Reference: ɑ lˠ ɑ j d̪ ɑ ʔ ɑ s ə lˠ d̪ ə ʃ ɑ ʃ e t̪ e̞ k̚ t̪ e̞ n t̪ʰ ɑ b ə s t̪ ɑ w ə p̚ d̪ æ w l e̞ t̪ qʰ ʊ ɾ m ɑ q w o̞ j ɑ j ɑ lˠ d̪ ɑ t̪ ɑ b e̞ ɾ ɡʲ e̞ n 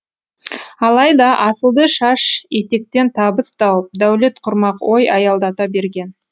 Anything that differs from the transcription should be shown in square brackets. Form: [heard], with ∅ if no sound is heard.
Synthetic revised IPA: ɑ lˠ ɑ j d̪ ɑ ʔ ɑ s ə lˠ d̪ ə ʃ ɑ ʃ e t̪ e̞ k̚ t̪ e̞ n t̪ʰ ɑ b ə s t̪ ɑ w ə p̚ d̪ æ w l e̞ t̪ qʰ ʊ ɾ m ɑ q w o̞ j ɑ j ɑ lˠ d̪ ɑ t̪ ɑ b e̞ ɾ ɡʲ e̞ n